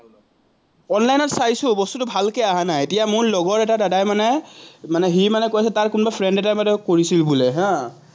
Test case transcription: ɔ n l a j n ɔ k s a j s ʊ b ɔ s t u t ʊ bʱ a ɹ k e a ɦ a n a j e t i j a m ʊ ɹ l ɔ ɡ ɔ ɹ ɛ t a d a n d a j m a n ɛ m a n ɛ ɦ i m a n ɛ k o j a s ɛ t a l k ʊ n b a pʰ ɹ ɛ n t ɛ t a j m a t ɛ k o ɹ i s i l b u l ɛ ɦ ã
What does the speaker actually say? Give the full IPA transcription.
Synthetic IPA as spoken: ɔ n l a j n ɔ t s a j s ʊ b ɔ s t u t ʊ bʱ a l k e a ɦ a n a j e t i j a m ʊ ɹ l ɔ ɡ ɔ ɹ ɛ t a d a d a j m a n ɛ m a n ɛ ɦ i m a n ɛ k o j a s ɛ t a ɹ k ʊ n b a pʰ ɹ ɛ n d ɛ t a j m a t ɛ k o ɹ i s i l b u l ɛ ɦ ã